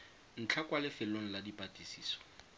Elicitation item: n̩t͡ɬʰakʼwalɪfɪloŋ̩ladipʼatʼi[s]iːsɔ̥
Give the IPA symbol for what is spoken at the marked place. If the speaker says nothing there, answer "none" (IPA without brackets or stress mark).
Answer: s